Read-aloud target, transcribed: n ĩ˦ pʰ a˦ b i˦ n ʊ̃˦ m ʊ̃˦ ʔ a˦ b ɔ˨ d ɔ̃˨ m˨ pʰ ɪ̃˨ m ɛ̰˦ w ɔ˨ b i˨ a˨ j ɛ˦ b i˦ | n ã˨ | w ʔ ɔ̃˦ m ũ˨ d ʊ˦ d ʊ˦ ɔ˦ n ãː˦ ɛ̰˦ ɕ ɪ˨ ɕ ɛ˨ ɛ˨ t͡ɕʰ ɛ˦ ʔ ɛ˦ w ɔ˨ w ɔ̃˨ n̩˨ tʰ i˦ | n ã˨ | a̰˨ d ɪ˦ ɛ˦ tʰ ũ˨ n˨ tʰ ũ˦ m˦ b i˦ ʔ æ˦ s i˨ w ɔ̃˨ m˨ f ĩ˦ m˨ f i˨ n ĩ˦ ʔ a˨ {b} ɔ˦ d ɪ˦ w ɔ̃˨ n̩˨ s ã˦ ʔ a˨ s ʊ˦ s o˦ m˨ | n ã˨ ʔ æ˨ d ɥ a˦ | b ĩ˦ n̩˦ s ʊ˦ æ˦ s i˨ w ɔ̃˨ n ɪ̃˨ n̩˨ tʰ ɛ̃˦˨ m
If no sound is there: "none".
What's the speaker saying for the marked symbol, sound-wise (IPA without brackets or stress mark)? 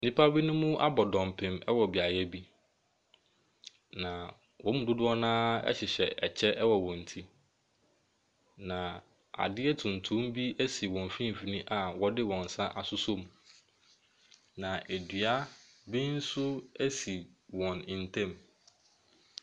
w